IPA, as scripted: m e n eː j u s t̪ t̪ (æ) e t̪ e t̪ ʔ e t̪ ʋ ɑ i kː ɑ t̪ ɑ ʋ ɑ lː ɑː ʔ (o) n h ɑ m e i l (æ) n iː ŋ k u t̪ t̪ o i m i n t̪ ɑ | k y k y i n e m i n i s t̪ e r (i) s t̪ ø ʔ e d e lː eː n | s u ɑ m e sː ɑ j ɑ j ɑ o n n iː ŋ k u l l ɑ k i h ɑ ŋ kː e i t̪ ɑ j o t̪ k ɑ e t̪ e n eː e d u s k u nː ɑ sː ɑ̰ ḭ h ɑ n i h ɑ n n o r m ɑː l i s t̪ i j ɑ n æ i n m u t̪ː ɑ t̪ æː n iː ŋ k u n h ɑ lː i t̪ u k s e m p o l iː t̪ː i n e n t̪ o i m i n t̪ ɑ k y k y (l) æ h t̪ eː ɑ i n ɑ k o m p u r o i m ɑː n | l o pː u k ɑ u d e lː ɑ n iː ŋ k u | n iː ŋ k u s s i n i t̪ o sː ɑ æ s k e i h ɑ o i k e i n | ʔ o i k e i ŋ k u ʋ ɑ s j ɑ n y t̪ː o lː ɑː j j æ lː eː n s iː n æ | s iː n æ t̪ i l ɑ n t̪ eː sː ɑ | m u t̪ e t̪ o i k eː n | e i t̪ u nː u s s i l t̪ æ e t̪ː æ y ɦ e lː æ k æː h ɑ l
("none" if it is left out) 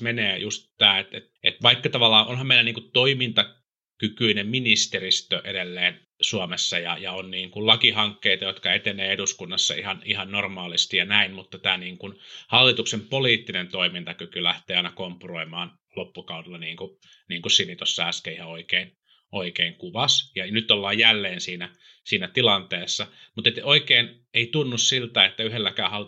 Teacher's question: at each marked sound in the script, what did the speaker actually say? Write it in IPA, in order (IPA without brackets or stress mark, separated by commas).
æː, o, æ, i, l